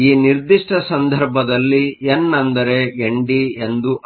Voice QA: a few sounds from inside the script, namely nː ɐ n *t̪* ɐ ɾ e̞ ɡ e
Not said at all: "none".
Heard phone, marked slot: d̪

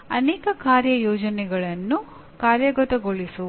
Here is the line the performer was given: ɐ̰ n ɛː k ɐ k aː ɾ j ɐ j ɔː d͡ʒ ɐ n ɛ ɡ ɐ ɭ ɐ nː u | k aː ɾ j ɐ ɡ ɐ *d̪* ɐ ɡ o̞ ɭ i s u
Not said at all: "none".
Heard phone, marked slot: t̪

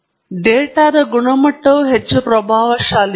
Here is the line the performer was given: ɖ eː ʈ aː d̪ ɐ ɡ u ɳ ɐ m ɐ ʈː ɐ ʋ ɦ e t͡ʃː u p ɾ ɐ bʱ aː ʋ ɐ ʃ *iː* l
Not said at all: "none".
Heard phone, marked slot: aː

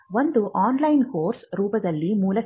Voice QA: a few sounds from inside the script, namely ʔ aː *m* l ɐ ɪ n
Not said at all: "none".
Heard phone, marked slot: n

